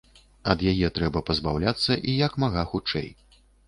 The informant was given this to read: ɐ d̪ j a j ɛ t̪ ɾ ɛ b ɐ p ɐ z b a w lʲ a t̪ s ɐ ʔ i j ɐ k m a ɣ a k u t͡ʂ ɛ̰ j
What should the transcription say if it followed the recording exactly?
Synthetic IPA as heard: ɐ d̪ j a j ɛ t̪ ɾ ɛ b ɐ p ɐ z b a w lʲ a t̪ sː ɐ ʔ i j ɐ k m a ɣ a x u t͡ʂ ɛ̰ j